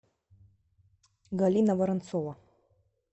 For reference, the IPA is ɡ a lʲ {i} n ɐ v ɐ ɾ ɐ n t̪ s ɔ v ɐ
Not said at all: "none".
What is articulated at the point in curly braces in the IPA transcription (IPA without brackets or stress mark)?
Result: i